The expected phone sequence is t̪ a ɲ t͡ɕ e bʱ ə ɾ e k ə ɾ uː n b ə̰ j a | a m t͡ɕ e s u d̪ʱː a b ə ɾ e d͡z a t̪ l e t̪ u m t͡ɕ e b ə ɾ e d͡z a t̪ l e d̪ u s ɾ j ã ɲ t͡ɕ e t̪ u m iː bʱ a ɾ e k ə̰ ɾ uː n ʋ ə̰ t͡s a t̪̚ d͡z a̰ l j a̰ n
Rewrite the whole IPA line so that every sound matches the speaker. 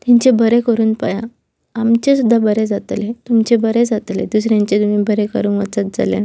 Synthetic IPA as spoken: t̪ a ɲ t͡ɕ e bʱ ə ɾ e k ə ɾ uː n p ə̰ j a | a m t͡ɕ e s u d̪ʱː a b ə ɾ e d͡z a t̪ l e t̪ u m t͡ɕ e b ə ɾ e d͡z a t̪ l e d̪ u s ɾ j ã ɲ t͡ɕ e t̪ u m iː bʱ ə ɾ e k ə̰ ɾ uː n ʋ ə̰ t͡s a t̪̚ d͡z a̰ l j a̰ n